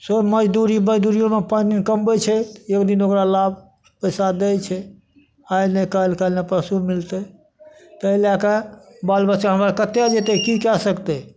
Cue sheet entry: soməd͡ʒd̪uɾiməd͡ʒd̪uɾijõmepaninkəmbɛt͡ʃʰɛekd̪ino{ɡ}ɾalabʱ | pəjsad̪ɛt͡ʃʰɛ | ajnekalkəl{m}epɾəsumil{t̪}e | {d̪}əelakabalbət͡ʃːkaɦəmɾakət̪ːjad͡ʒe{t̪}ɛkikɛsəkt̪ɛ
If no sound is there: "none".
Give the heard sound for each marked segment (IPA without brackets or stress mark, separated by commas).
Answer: k, n, t̪, t̪, t̪